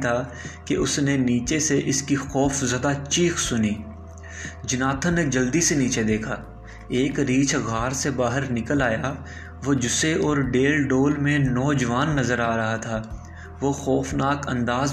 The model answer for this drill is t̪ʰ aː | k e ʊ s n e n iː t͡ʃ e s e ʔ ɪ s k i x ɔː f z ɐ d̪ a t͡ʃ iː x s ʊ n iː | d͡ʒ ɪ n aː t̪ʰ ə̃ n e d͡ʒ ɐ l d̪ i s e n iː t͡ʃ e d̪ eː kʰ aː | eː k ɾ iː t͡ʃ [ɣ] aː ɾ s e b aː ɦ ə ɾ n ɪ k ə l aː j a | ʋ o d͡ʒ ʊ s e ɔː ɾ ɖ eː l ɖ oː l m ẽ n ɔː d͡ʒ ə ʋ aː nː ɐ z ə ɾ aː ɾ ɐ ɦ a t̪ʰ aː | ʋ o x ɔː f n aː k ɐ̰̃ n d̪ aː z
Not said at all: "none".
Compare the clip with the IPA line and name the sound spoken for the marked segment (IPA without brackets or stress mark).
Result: ɣ